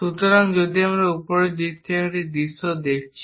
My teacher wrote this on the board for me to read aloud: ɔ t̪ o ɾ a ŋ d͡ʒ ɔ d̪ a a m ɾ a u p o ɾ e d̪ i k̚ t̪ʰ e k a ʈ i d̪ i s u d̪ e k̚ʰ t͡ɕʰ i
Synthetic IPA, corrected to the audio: u t̪ o ɾ a ŋ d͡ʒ o d̪ i a m ɾ a u p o ɾ e d̪ i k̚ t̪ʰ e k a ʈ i d̪ i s o d̪ e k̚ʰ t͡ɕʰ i